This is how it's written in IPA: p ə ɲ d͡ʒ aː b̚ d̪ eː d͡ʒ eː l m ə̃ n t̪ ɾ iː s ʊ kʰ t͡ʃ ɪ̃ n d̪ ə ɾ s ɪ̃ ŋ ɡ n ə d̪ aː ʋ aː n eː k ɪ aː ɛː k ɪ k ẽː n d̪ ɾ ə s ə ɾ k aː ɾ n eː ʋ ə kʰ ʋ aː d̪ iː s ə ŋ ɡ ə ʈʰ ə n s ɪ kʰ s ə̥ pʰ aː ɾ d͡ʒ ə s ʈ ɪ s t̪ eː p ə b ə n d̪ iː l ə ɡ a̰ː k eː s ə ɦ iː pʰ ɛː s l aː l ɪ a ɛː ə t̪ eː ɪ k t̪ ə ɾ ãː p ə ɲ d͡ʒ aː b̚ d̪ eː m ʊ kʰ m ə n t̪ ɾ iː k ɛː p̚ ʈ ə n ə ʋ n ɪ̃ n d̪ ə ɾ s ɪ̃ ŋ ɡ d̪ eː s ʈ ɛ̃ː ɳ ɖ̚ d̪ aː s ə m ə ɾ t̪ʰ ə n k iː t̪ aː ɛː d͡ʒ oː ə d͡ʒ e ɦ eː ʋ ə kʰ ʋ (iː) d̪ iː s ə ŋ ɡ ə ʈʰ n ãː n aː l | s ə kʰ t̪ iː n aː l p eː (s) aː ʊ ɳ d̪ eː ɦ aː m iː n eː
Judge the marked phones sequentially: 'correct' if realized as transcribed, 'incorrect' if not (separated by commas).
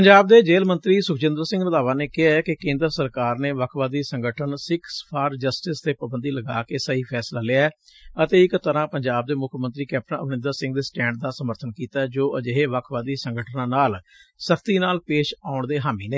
incorrect, incorrect